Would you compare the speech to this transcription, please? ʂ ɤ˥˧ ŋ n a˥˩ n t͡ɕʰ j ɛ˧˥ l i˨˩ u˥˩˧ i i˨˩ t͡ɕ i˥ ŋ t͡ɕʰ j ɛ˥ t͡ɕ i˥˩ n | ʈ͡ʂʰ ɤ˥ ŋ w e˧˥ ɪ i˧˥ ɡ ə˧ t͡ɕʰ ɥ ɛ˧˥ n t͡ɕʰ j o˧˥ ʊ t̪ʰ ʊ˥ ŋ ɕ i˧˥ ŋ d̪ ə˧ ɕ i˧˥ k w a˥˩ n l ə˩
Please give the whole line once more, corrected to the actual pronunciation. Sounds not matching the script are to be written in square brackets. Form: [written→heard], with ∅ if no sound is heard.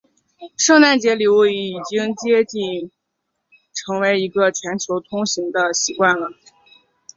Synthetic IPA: ʂ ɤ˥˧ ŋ n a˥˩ n [t͡ɕʰ→t͡ɕ] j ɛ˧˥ l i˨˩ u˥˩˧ i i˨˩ t͡ɕ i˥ ŋ [t͡ɕʰ→t͡ɕ] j ɛ˥ t͡ɕ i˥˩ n | ʈ͡ʂʰ [ɤ˥→ɤ˧˥] ŋ w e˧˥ ɪ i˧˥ ɡ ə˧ t͡ɕʰ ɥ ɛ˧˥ n t͡ɕʰ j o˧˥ ʊ t̪ʰ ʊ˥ ŋ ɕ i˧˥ ŋ d̪ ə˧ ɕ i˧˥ k w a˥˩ n l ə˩